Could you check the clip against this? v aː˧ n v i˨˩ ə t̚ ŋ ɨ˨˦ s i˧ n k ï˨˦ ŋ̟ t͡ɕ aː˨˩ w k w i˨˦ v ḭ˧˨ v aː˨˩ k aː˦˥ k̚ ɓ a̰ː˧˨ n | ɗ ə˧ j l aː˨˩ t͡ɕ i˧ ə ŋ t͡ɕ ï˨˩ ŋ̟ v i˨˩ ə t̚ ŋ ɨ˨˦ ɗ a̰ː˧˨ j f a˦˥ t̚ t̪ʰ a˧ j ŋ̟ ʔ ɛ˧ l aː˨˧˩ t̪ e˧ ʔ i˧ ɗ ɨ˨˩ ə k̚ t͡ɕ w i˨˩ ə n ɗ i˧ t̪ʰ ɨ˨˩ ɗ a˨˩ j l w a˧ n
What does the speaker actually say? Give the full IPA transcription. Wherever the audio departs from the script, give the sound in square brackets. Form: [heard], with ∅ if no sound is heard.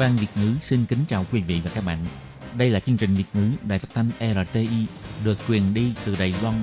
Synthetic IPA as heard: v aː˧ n v i˨˩ ə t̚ ŋ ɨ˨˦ s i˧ n k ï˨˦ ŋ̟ t͡ɕ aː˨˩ w k w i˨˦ v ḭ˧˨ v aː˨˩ k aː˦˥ k̚ ɓ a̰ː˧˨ n | ɗ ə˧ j l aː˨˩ t͡ɕ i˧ ə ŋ t͡ɕ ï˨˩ ŋ̟ v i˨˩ ə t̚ ŋ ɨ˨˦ ɗ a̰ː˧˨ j f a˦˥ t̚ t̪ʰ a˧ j ŋ̟ ʔ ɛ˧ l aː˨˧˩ t̪ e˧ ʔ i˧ ɗ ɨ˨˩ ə k̚ t͡ɕ w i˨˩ ə n ɗ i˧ [t̪] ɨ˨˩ ɗ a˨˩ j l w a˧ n